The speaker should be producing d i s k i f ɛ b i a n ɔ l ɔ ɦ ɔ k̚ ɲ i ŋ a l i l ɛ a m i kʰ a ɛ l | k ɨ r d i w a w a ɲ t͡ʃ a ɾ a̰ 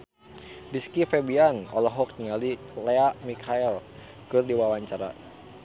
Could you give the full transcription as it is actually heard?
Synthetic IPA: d i s k i f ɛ b i a n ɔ l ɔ ɦ ɔ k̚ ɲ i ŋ a l i l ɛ a m i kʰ a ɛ l | k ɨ r d i w a w a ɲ t͡ʃ a ɾ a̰